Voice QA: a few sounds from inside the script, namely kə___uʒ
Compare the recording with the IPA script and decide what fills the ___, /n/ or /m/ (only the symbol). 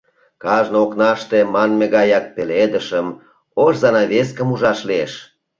m